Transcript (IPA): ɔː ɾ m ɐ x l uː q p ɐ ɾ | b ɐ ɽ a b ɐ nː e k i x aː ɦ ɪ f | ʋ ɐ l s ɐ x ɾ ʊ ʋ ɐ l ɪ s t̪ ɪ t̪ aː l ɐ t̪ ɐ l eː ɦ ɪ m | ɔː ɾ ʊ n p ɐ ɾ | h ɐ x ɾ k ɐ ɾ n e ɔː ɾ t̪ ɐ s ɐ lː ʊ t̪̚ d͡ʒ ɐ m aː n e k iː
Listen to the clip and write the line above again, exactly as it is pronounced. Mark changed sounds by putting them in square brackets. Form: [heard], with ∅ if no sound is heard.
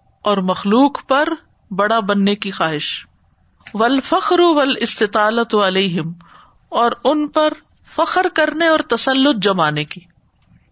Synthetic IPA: ɔː ɾ m ɐ x l uː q p ɐ ɾ | b ɐ ɽ a b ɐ nː e k i x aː ɦ ɪ [ʃ] | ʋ ɐ l [f] ɐ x ɾ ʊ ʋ ɐ l ɪ s t̪ ɪ t̪ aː l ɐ t̪ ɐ l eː ɦ ɪ m | ɔː ɾ ʊ n p ɐ ɾ | [f] ɐ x ɾ k ɐ ɾ n e ɔː ɾ t̪ ɐ s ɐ lː ʊ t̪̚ d͡ʒ ɐ m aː n e k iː